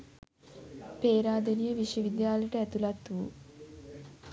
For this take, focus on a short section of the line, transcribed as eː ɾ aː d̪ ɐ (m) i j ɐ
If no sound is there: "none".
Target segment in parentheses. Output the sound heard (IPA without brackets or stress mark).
n